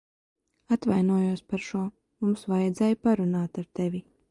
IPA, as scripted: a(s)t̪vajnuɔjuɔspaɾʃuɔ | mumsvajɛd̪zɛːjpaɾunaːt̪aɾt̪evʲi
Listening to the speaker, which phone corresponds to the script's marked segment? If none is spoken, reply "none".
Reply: none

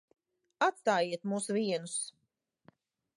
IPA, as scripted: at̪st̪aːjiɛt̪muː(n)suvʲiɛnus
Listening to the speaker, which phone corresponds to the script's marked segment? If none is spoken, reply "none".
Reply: none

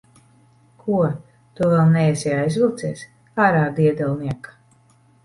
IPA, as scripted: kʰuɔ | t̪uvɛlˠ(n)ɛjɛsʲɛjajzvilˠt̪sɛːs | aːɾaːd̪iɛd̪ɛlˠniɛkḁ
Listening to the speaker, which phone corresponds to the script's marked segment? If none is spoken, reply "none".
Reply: n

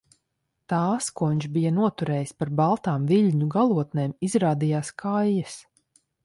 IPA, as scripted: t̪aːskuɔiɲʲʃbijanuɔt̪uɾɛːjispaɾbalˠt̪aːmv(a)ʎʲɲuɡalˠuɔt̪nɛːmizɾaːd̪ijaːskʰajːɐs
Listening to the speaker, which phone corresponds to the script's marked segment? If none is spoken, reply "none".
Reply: i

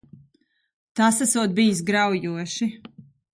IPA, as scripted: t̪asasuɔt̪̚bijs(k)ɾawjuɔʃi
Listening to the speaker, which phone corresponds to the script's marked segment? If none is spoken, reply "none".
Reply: ɡ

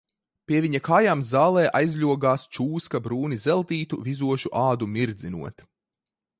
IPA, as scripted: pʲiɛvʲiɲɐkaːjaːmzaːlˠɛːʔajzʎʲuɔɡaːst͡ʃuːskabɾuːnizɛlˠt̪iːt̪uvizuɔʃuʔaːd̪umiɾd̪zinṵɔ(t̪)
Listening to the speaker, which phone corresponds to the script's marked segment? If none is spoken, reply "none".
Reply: t̪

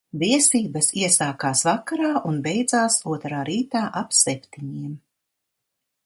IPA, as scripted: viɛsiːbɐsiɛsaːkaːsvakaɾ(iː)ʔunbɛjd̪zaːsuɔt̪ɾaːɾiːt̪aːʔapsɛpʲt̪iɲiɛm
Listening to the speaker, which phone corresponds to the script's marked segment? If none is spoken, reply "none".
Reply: aː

